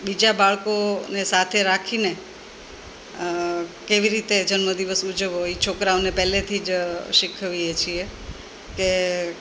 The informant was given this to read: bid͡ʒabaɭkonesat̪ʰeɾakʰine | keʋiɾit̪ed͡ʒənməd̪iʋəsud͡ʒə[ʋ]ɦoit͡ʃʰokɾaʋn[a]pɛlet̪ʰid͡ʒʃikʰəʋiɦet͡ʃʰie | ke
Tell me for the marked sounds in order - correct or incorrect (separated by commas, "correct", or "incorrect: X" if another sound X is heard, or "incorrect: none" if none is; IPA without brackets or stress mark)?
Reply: correct, incorrect: e